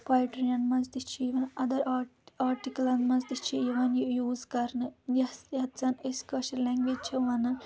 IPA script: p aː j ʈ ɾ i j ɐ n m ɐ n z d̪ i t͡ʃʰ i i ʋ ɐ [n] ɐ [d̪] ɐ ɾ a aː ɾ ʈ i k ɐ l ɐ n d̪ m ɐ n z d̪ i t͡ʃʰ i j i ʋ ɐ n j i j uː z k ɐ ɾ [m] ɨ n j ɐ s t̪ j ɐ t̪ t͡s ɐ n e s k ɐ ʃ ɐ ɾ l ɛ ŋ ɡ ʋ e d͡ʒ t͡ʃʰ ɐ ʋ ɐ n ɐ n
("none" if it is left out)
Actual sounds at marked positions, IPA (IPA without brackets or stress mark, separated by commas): n, d̪, n